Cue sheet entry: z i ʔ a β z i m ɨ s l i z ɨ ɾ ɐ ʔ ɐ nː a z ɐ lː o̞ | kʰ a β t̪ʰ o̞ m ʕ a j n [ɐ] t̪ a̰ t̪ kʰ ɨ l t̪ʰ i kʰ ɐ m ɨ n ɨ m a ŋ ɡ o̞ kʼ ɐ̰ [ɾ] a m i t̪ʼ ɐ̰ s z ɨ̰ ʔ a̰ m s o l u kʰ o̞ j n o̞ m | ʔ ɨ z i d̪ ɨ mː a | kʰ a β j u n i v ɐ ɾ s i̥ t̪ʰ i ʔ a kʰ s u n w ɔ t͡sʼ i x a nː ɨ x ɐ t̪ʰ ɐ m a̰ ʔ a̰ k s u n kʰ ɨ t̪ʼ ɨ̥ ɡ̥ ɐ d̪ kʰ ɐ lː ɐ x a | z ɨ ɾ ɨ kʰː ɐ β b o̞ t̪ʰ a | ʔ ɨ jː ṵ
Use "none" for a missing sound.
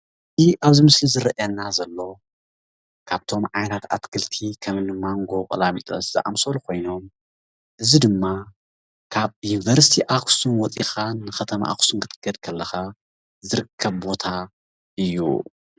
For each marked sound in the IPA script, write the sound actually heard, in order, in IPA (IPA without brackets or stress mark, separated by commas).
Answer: a, l